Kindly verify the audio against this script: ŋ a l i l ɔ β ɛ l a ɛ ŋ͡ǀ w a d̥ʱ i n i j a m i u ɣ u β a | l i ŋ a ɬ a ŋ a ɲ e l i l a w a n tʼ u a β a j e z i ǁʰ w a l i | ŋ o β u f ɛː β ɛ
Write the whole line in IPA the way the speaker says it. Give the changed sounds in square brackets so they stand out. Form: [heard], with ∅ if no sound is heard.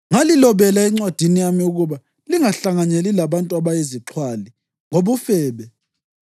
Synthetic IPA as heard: ŋ a l i l ɔ β ɛ l a ɛ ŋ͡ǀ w a d̥ʱ i n i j a m i u ɣ u β a | l i ŋ a ɬ a ŋ a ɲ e l i l a [β] a n tʼ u a β a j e z i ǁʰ w a l i | ŋ o β u f ɛː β ɛ